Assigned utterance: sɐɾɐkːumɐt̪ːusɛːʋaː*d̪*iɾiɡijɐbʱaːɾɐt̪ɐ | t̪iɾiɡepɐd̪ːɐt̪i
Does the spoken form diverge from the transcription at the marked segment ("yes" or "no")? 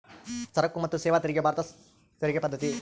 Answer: yes